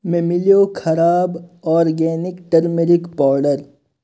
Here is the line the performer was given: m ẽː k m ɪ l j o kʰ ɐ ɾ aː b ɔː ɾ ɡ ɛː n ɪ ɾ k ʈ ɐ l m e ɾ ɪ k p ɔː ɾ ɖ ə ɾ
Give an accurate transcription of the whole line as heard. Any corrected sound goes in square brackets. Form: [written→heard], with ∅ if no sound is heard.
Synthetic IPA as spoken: m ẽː [k→∅] m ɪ l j o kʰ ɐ ɾ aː b ɔː ɾ ɡ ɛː n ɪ [ɾ→∅] k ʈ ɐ [l→ɾ] m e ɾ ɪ k p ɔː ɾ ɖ ə ɾ